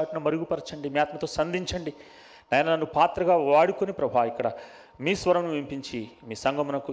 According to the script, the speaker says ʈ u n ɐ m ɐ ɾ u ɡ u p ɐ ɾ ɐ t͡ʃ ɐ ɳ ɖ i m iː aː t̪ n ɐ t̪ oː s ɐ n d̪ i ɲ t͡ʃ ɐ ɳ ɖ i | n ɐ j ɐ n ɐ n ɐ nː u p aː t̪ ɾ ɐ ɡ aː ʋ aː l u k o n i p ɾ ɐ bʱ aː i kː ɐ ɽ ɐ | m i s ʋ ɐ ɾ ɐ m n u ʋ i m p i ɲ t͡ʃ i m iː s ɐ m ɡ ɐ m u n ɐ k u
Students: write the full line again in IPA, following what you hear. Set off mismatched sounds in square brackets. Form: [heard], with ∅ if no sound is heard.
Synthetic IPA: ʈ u n ɐ m ɐ ɾ u ɡ u p ɐ ɾ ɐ t͡ʃ ɐ ɳ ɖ i m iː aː t̪ [m] ɐ t̪ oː s ɐ n d̪ i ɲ t͡ʃ ɐ ɳ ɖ i | n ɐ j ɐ n ɐ n ɐ nː u p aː t̪ ɾ ɐ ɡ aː ʋ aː [ɽ] u k o n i p ɾ ɐ bʱ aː i kː ɐ ɽ ɐ | m [iː] s ʋ ɐ ɾ ɐ m n u ʋ i m p i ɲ t͡ʃ i m iː s ɐ [ŋ] ɡ ɐ m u n ɐ k u